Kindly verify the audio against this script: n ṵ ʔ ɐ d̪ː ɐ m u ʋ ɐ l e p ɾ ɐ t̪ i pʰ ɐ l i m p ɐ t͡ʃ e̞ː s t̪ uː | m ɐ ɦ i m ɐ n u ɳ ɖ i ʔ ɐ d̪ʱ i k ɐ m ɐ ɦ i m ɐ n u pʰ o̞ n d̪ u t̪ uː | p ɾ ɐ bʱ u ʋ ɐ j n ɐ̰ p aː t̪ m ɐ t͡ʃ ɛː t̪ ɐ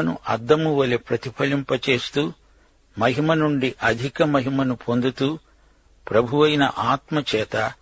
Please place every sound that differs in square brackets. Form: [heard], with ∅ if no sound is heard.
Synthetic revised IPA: n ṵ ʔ ɐ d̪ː ɐ m u ʋ ɐ l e p ɾ ɐ t̪ i pʰ ɐ l i m p ɐ t͡ʃ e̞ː s t̪ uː | m ɐ ɦ i m ɐ n u ɳ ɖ i ʔ ɐ d̪ʱ i k ɐ m ɐ ɦ i m ɐ n u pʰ o̞ n d̪ u t̪ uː | p ɾ ɐ bʱ u ʋ ɐ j n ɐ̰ [ʔ] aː t̪ m ɐ t͡ʃ ɛː t̪ ɐ